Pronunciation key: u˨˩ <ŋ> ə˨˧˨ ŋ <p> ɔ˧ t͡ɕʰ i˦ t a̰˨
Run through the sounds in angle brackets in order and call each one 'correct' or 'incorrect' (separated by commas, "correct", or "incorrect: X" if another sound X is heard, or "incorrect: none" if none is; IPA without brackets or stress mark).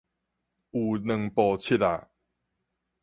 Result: incorrect: n, correct